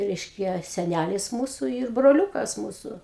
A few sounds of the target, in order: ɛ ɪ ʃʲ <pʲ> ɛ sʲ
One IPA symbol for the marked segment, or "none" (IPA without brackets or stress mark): kʲ